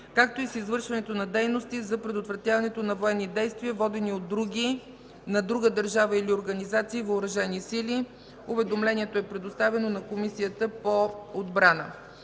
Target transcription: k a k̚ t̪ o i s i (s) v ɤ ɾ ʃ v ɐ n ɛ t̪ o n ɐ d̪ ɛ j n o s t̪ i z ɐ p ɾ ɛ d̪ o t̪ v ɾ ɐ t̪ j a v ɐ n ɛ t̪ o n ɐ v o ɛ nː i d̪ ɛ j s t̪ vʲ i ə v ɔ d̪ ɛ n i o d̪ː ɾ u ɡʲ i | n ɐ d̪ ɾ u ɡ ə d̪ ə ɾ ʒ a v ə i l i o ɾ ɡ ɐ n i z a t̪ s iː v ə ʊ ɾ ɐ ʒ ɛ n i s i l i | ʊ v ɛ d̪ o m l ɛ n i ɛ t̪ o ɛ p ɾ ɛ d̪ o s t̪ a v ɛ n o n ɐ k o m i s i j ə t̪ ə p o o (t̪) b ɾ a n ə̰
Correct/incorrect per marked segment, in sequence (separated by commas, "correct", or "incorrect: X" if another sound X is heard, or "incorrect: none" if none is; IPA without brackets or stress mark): incorrect: z, incorrect: d̪